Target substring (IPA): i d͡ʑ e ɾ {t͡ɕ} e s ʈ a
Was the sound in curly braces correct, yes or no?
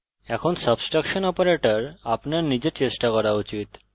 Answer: yes